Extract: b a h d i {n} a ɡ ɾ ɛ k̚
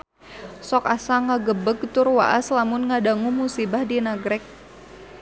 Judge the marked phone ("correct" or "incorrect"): correct